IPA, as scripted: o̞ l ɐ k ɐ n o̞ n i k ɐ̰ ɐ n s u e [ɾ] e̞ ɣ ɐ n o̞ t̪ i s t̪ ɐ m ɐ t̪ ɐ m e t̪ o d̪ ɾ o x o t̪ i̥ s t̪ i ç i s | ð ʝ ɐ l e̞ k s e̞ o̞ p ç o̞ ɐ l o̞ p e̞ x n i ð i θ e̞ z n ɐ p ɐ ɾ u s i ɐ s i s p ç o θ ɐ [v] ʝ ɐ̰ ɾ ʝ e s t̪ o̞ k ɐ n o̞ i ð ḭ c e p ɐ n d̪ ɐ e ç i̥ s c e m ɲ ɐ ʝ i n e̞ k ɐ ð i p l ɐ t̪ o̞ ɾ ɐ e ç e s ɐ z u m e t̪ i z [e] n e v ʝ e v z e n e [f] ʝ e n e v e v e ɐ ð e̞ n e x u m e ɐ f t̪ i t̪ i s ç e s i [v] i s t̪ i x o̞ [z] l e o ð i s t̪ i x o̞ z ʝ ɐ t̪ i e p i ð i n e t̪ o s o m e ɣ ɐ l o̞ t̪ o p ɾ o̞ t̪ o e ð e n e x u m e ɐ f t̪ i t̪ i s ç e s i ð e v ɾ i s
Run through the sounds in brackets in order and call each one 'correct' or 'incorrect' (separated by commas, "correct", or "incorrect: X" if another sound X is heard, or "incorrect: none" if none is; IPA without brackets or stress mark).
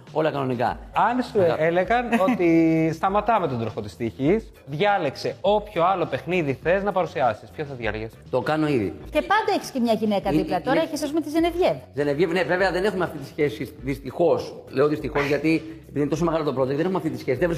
incorrect: l, incorrect: ð, correct, incorrect: v, incorrect: ð, incorrect: s